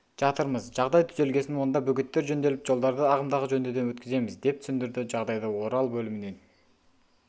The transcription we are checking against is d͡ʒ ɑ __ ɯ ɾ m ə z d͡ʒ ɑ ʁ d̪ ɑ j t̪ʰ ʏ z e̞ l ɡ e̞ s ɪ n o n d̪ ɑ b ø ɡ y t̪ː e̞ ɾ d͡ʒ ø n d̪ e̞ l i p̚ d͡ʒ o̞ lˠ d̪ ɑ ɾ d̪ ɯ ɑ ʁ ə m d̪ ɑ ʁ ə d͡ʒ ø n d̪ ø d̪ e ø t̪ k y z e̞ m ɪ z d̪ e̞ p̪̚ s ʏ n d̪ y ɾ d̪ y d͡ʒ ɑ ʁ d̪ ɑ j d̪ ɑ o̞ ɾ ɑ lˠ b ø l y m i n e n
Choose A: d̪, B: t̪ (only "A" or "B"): B